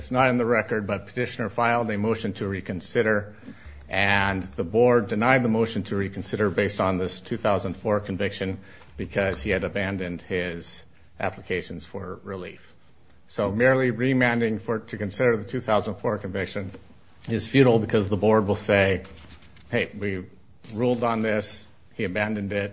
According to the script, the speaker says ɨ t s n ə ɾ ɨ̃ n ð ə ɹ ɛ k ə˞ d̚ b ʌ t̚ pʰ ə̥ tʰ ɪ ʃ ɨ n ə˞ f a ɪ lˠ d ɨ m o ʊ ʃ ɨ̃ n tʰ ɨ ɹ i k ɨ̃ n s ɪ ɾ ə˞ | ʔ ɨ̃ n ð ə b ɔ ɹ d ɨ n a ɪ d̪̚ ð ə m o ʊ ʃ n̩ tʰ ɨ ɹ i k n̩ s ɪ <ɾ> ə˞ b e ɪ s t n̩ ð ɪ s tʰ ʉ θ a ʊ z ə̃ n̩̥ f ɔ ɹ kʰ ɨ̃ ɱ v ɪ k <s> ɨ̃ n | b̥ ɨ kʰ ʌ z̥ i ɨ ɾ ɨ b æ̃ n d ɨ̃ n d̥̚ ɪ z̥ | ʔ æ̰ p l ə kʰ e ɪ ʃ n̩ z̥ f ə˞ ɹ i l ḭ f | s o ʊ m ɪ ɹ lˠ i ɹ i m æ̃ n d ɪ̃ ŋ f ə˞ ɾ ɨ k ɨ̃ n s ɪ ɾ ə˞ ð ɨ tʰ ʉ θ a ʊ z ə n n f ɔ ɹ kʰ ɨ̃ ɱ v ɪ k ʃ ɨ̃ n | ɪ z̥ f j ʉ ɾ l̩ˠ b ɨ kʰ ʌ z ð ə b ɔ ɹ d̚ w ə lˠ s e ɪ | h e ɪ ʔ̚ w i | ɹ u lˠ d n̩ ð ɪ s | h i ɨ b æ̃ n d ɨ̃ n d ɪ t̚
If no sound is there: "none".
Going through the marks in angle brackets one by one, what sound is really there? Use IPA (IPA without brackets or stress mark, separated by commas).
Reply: ɾ, ʃ